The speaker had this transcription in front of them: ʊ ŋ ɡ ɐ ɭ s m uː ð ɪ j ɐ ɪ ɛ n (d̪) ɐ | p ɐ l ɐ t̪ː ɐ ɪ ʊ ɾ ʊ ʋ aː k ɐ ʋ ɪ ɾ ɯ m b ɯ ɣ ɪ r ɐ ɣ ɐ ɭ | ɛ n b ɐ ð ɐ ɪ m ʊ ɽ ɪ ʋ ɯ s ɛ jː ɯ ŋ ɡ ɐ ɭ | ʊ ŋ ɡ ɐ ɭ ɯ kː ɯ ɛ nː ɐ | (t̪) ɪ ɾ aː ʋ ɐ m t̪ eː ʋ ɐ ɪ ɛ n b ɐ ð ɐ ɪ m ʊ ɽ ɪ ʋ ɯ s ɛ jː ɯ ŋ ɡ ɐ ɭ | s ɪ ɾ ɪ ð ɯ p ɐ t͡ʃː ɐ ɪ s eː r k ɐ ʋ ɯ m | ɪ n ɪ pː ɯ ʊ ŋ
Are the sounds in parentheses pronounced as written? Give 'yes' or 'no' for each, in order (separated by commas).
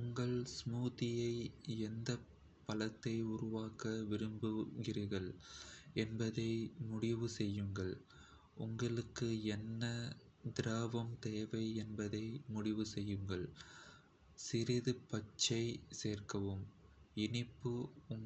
yes, no